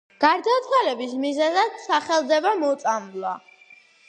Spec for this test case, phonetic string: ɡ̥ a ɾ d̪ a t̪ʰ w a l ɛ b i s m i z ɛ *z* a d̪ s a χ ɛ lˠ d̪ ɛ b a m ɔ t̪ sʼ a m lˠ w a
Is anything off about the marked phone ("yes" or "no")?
no